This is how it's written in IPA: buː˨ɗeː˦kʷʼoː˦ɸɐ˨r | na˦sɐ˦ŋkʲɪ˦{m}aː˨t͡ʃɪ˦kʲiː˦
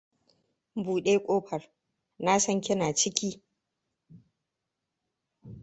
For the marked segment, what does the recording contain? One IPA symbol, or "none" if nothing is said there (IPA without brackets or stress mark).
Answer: n